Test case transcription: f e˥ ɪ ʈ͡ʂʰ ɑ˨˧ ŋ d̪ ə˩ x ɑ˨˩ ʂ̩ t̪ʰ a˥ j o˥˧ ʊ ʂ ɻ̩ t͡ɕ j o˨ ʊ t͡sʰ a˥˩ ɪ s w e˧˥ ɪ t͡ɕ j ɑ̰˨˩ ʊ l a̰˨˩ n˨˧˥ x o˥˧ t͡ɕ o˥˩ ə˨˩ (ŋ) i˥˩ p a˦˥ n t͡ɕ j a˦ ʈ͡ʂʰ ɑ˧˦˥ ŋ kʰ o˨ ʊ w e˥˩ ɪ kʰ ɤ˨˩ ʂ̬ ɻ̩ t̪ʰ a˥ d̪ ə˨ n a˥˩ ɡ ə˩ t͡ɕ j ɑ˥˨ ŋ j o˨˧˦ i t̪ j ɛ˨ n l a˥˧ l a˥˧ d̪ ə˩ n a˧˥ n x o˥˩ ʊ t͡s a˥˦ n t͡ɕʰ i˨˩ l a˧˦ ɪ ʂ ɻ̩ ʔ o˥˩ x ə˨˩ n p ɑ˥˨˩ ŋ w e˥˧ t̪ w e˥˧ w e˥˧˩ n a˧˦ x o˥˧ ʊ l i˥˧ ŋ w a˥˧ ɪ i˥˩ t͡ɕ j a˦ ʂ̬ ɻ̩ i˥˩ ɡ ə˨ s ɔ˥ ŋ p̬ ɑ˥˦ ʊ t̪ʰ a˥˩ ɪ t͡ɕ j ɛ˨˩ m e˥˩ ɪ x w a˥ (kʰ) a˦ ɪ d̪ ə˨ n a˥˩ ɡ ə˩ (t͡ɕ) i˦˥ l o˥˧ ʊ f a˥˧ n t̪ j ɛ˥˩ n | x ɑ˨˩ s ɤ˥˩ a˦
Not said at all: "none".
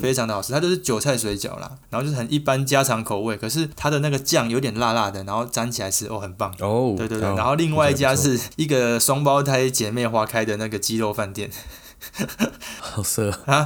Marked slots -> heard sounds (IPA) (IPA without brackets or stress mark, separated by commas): n, kʰ, t͡ɕ